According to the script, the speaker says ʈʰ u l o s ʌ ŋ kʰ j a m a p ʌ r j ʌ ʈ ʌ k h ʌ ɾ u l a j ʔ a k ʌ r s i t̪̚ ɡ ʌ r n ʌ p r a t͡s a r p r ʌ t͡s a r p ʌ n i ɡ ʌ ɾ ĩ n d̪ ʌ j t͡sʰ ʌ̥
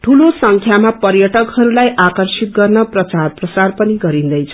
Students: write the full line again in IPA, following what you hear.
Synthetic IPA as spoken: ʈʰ u l o s ʌ ŋ kʰ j a m a p ʌ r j ʌ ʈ ʌ k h ʌ ɾ u l a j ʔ a k ʌ r s i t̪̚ ɡ ʌ r n ʌ p r ʌ t͡s a r p r ʌ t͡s a r p ʌ n i ɡ ʌ ɾ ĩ n d̪ ʌ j t͡sʰ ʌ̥